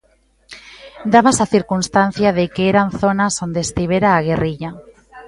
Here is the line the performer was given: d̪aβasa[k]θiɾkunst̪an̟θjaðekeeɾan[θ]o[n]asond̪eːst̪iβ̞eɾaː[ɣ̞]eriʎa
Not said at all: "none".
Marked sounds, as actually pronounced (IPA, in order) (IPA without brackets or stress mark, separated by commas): none, θ, n, ɣ̞